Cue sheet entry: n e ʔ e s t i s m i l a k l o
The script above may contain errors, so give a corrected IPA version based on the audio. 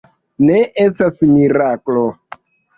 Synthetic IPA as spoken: n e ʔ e s t a s m i ɾ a k l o